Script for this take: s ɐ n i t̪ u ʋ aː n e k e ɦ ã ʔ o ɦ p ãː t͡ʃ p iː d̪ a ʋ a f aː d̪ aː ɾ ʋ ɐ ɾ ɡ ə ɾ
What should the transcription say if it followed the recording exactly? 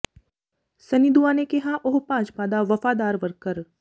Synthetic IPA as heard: s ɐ n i d̪ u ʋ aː n e k e ɦ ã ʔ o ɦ p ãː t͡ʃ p aː d̪ a ʋ ɐ f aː d̪ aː ɾ ʋ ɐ ɾ k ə ɾ